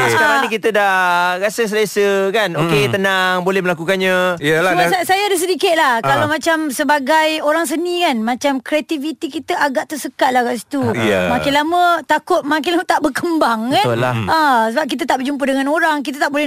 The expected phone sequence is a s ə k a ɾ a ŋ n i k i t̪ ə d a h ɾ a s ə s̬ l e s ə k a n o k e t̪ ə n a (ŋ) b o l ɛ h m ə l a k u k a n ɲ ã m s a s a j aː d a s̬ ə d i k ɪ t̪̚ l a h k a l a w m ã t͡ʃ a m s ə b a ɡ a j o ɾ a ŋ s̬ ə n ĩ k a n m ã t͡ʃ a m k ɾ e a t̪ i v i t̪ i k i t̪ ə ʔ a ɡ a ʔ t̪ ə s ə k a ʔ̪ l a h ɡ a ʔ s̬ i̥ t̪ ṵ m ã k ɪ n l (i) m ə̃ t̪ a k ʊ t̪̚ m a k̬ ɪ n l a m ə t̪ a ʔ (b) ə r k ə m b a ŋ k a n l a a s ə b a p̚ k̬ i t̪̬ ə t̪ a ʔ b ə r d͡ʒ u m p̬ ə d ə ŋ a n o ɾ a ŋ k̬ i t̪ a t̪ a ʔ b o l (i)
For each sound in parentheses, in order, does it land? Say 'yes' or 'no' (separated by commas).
yes, no, yes, no